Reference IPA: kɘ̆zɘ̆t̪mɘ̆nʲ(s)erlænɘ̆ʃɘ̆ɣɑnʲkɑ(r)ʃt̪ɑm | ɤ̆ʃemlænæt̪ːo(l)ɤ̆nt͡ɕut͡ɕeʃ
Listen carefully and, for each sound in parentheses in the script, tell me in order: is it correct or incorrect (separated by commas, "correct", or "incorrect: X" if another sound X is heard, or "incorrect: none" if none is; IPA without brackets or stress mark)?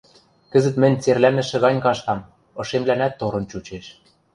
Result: incorrect: t͡s, incorrect: none, incorrect: ɾ